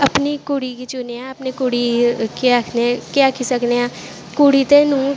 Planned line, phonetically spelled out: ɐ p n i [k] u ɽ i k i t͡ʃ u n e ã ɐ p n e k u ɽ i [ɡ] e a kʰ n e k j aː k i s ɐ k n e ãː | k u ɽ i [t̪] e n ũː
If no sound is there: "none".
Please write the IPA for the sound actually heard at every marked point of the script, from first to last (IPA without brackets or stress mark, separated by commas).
k, k, t̪